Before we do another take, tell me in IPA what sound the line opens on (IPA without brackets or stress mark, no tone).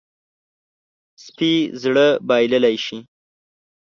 s